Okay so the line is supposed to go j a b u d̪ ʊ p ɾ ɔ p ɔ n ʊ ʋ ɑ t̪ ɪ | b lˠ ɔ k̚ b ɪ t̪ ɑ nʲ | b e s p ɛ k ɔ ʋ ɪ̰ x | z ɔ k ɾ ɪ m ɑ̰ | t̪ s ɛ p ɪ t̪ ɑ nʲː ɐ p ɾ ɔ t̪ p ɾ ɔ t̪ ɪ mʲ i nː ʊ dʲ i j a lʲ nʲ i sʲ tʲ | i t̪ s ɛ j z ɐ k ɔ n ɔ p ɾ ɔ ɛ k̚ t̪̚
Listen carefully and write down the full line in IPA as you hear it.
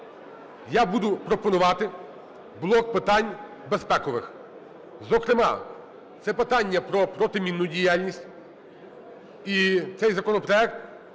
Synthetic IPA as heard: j a b u d̪ ʊ p ɾ ɔ p ɔ n ʊ ʋ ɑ t̪ ɪ | b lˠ ɔ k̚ p ɪ t̪ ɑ nʲ | b e s p ɛ k ɔ ʋ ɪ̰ x | z ɔ k ɾ ɪ m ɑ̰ | t̪ s ɛ p ɪ t̪ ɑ nʲː ɐ p ɾ ɔ p ɾ ɔ t̪ ɪ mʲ i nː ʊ dʲ i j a lʲ nʲ i sʲ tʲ | i t̪ s ɛ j z ɐ k ɔ n ɔ p ɾ ɔ ɛ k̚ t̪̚